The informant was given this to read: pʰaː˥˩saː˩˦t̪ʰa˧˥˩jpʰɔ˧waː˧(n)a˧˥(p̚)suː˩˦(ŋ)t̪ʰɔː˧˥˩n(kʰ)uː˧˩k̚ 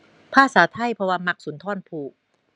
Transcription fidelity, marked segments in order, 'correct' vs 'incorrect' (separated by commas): incorrect, incorrect, incorrect, incorrect